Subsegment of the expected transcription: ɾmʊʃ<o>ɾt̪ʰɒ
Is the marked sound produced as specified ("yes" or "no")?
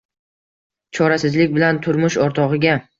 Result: no